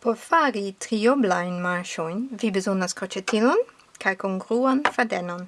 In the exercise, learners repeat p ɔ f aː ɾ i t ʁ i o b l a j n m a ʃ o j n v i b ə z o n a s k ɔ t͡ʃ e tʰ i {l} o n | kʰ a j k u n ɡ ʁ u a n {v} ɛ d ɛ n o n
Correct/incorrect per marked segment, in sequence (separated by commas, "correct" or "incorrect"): correct, incorrect